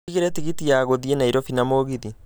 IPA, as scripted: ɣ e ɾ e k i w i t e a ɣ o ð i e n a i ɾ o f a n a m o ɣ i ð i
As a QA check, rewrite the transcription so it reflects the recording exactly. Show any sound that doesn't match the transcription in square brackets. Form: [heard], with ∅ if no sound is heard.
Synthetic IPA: ɣ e ɾ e [t] i [ɣ] i t [i] a ɣ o ð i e n a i ɾ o f [i] n a m o ɣ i ð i